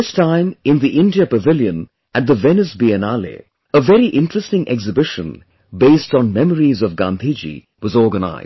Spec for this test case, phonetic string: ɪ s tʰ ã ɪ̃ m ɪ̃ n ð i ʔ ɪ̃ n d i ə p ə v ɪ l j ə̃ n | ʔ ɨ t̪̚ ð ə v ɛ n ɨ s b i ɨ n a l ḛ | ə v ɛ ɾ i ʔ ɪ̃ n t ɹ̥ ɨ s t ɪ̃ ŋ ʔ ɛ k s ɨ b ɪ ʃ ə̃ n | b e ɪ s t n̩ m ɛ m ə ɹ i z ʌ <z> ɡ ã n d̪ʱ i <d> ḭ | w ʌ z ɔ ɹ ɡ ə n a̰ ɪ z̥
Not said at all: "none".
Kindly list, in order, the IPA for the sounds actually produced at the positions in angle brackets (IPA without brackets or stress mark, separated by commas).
v, d͡ʒ